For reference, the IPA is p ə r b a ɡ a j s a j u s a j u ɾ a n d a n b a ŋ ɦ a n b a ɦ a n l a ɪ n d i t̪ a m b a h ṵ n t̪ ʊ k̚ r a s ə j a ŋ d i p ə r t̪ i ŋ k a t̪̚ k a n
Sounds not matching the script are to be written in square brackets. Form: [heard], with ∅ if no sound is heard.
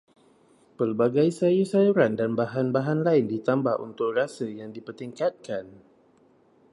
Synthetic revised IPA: p ə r b a ɡ a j s a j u s a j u ɾ a n d a n b a [∅] ɦ a n b a ɦ a n l a ɪ n d i t̪ a m b a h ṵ n t̪ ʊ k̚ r a s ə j a ŋ d i p ə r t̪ i ŋ k a t̪̚ k a n